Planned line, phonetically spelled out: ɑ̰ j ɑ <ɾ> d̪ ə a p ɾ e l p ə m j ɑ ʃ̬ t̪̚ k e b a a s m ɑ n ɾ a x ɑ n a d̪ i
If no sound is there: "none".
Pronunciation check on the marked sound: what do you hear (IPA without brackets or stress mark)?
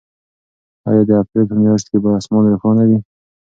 none